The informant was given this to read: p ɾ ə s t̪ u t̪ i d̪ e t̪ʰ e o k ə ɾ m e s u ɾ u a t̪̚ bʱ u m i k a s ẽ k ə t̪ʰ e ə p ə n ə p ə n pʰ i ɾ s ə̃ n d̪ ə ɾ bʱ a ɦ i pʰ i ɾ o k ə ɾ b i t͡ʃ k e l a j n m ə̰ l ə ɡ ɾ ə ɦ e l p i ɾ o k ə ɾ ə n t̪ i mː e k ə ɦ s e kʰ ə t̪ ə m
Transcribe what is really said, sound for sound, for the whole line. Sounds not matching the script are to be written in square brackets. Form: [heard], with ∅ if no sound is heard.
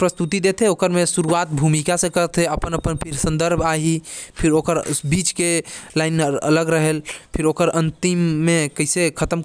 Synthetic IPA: p ɾ ə s t̪ u t̪ i d̪ e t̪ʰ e o k ə ɾ m e s u ɾ u a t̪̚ bʱ u m i k a s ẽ k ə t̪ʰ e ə p ə n ə p ə n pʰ i ɾ s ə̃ n d̪ ə ɾ bʱ a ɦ i pʰ i ɾ o k ə ɾ b i t͡ʃ k e l a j n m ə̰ l ə ɡ ɾ ə ɦ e l [pʰ] i ɾ o k ə ɾ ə n t̪ i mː e k ə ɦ s e kʰ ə t̪ ə m